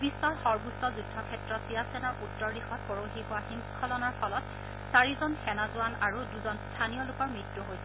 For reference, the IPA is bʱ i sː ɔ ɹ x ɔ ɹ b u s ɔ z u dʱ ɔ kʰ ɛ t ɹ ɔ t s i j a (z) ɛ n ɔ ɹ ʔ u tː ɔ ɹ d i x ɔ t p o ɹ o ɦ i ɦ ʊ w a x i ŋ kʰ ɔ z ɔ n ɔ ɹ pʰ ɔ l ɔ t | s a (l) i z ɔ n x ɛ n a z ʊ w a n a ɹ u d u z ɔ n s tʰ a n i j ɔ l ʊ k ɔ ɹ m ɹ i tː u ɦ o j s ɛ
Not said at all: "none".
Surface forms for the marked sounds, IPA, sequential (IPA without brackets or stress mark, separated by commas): s, ɹ